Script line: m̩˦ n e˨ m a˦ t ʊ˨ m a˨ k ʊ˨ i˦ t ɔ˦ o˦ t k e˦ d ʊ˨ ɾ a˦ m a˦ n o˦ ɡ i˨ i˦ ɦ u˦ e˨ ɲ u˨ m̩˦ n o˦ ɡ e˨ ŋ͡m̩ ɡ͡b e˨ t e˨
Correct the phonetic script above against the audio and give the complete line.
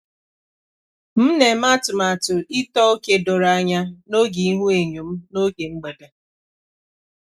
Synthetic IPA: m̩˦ n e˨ m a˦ t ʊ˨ m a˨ t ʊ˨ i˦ t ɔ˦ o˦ k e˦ d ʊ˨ ɾ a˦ ɲ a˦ n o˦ ɡ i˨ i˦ ɦ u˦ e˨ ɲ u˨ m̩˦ n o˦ ɡ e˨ ŋ͡m̩ ɡ͡b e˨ d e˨

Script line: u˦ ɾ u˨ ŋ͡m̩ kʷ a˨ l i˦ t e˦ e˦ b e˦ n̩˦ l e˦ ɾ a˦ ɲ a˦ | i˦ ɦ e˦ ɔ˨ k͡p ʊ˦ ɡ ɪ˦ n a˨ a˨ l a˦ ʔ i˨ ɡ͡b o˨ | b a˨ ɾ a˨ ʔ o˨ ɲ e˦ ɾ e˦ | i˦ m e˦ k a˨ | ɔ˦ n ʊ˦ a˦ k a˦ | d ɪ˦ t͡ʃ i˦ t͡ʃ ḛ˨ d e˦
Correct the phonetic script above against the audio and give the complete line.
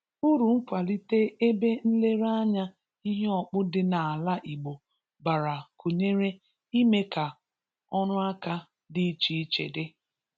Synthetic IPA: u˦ ɾ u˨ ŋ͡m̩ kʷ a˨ l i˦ t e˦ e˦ b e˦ n̩˦ l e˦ ɾ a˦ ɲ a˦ | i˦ ɦ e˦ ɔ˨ k͡p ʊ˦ d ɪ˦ n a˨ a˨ l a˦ ʔ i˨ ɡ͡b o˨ | b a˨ ɾ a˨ k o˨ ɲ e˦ ɾ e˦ | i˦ m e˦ k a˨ | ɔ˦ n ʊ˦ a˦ k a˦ | d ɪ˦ t͡ʃ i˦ t͡ʃ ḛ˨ d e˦

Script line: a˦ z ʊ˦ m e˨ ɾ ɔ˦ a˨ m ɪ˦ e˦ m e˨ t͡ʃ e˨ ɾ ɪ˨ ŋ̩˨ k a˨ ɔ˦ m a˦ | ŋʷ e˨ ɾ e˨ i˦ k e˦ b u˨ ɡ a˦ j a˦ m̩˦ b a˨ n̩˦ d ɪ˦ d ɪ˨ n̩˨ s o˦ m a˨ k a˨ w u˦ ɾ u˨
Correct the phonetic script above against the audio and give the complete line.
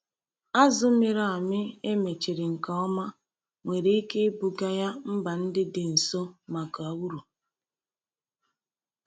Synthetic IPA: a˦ z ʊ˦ m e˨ ɾ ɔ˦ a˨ m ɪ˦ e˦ m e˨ t͡ʃ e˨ ɾ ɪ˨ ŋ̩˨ k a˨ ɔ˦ m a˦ | ŋʷ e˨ ɾ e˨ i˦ k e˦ b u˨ ɡ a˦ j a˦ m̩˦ b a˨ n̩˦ d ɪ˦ d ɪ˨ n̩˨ s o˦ m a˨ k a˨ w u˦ ɾ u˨

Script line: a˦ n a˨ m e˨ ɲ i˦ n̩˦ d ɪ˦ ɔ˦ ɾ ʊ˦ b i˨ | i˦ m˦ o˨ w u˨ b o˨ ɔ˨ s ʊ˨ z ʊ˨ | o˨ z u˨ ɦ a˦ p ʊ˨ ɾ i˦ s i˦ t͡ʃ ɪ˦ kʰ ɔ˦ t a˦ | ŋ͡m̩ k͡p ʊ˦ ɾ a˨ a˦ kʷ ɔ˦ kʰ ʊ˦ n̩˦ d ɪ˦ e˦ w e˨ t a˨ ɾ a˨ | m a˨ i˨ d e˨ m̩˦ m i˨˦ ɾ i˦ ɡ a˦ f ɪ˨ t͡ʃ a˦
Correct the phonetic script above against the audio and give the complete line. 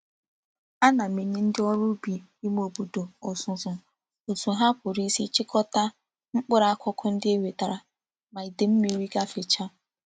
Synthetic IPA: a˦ n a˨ m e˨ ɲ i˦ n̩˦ d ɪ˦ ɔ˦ ɾ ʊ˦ b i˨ | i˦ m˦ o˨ b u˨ d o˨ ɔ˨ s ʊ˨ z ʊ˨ | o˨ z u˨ ɦ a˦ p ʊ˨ ɾ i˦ s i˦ t͡ʃ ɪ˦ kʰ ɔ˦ t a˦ | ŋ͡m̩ k͡p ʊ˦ ɾ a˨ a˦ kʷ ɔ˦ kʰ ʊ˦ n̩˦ d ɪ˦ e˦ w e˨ t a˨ ɾ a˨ | m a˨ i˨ d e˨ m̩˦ m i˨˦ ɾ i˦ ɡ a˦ f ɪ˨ t͡ʃ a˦

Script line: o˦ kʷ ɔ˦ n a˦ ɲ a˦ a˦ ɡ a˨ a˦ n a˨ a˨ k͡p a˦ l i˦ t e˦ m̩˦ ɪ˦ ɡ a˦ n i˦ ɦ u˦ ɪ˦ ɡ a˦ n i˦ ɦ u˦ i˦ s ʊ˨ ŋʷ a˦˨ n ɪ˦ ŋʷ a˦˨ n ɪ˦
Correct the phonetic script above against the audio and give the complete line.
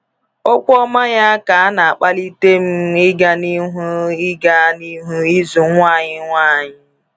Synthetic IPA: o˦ kʷ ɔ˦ m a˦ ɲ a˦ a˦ k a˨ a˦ n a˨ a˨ k͡p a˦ l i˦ t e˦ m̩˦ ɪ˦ ɡ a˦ n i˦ ɦ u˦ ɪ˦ ɡ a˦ n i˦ ɦ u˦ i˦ z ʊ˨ ŋʷ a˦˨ ɲ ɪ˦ ŋʷ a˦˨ ɲ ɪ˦

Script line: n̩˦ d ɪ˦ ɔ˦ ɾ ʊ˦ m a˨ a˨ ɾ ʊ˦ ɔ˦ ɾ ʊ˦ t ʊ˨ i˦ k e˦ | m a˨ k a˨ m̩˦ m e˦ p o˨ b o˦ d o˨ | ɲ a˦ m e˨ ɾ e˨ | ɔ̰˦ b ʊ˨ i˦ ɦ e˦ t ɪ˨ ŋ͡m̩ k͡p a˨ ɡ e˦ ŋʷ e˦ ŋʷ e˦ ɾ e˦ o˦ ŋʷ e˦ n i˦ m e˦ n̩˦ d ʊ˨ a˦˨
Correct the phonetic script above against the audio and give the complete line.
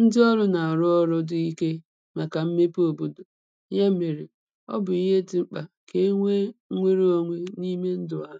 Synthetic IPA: n̩˦ d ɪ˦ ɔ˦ ɾ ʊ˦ n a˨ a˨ ɾ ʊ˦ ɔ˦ ɾ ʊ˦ d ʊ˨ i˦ k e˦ | m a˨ k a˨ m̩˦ m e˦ p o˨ b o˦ d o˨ | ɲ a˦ m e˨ ɾ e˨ | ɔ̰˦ b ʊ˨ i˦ ɦ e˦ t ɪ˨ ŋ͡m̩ k͡p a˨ k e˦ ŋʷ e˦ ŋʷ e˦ ɾ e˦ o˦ ŋʷ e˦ n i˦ m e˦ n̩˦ d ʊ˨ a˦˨

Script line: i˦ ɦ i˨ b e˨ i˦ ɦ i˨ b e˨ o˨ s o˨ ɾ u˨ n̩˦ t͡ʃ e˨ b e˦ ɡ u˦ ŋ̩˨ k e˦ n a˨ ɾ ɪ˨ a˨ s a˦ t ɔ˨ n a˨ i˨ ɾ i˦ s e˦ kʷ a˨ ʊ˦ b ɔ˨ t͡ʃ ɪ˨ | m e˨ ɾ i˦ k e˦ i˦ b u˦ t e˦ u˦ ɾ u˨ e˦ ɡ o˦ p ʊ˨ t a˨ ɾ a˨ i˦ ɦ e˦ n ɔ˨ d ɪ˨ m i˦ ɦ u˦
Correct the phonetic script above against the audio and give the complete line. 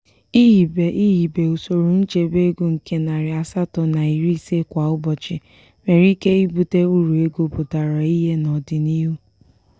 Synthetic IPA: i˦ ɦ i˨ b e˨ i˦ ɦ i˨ b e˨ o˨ s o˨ ɾ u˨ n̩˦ t͡ʃ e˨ b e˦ ɡ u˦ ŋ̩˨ k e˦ n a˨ ɾ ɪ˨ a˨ s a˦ t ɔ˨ n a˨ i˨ ɾ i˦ s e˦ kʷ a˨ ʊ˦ b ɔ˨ t͡ʃ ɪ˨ | m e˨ ɾ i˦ k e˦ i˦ b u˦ t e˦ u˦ ɾ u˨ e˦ ɡ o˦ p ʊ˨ t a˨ ɾ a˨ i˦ ɦ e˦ n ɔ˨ d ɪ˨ n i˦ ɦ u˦

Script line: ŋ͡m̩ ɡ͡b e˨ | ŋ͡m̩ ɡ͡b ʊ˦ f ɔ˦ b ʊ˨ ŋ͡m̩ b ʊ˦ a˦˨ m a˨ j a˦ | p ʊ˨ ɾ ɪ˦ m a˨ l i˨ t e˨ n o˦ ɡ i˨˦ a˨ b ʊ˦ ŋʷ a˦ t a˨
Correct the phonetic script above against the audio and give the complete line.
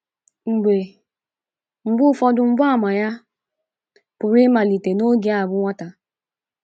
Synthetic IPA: ŋ͡m̩ ɡ͡b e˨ | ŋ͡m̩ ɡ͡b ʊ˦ f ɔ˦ d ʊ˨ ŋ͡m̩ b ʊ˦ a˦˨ m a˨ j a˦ | p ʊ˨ ɾ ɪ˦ m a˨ l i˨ t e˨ n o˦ ɡ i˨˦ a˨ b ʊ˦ ŋʷ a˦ t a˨

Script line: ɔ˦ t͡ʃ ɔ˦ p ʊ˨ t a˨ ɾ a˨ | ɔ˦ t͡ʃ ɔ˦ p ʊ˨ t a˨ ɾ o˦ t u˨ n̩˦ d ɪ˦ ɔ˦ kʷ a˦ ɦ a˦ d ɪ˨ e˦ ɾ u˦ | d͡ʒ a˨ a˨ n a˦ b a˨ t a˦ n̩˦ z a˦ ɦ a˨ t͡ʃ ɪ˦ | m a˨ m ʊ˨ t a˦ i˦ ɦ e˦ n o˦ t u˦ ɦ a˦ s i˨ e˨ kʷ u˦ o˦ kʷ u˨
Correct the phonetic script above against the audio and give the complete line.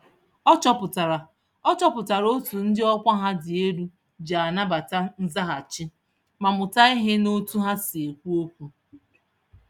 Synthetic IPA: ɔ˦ t͡ʃ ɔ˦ p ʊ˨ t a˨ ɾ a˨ | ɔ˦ t͡ʃ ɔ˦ p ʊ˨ t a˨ ɾ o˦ t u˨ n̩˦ d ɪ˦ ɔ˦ kʷ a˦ ɦ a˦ d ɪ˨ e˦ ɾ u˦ | d͡ʒ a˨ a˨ n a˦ b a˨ t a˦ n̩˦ z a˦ ɦ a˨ t͡ʃ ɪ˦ | m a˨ m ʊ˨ t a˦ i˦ ɦ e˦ n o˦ t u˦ ɦ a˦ s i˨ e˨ kʷ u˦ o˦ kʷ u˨

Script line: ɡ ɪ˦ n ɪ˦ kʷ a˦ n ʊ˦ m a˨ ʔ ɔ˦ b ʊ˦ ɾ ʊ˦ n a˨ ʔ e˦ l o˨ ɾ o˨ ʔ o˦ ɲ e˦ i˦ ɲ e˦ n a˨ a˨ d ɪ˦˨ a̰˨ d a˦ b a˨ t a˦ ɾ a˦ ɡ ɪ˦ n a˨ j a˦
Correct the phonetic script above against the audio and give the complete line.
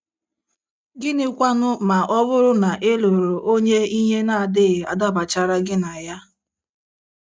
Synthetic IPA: ɡ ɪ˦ n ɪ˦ kʷ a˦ n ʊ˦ m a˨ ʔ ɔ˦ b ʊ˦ ɾ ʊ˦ n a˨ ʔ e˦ l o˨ ɾ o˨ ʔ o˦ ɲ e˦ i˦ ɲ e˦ n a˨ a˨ d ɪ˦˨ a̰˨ d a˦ b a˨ t͡ʃ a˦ ɾ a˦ ɡ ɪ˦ n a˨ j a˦

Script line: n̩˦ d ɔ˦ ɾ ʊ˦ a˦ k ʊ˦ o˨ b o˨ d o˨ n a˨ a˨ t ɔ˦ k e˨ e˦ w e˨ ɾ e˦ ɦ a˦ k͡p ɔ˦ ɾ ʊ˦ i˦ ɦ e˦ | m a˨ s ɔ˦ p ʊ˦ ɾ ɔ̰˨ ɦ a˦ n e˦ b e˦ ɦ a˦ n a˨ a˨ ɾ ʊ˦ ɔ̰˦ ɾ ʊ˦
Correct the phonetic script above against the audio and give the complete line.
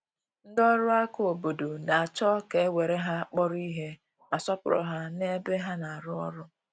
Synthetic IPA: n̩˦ d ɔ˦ ɾ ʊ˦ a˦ k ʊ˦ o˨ b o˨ d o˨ n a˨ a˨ t͡ʃ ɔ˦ k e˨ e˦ w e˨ ɾ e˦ ɦ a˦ k͡p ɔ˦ ɾ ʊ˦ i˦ ɦ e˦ | m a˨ s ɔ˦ p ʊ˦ ɾ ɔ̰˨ ɦ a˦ n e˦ b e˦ ɦ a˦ n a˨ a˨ ɾ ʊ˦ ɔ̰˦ ɾ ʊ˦

